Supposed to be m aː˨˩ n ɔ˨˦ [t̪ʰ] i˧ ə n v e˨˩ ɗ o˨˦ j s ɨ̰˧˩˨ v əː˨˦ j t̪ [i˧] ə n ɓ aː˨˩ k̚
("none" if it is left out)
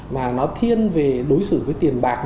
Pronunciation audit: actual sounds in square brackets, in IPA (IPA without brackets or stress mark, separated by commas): t̪ʰ, i˨˩